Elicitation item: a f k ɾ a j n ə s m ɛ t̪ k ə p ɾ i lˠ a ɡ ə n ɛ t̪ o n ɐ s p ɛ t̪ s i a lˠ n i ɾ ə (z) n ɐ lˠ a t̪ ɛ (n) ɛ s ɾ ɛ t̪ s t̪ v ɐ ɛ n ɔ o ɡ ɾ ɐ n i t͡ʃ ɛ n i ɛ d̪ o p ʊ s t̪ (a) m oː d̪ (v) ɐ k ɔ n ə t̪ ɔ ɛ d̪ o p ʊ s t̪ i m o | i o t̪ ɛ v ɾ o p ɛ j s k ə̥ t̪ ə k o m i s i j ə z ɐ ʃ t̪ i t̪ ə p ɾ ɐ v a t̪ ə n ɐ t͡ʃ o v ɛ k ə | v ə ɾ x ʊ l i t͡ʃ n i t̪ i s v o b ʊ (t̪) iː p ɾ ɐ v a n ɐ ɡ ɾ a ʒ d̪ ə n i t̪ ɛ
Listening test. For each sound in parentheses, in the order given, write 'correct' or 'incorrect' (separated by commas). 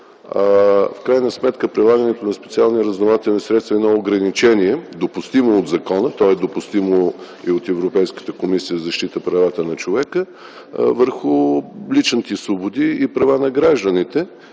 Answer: correct, correct, incorrect, incorrect, incorrect